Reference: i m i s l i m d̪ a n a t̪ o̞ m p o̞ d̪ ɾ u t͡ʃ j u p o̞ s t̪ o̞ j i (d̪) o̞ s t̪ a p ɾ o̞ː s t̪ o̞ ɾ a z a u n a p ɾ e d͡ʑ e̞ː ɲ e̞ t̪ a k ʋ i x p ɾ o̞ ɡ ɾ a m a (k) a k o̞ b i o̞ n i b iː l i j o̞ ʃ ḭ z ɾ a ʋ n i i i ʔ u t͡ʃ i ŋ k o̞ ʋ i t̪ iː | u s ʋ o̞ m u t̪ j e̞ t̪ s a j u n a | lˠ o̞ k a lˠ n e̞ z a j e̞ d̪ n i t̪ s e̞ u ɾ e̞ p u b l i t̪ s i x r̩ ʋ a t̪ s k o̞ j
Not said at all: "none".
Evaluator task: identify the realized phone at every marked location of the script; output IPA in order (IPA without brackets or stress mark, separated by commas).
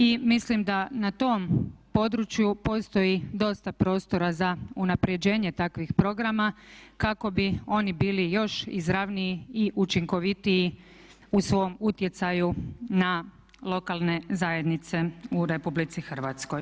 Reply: d̪, k